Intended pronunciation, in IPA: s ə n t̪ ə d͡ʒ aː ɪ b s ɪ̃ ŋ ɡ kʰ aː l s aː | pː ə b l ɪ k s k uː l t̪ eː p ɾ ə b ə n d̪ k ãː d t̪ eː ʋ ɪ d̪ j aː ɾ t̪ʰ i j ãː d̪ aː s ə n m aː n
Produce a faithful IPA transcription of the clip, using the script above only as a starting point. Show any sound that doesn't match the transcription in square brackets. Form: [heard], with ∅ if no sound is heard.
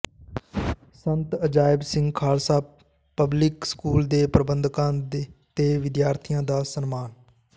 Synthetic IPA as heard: s ə n t̪ ə d͡ʒ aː ɪ b s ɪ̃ ŋ ɡ kʰ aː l s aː | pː ə b l ɪ k s k uː l [d̪] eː p ɾ ə b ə n d̪ k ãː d t̪ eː ʋ ɪ d̪ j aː ɾ t̪ʰ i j ãː d̪ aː s ə n m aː n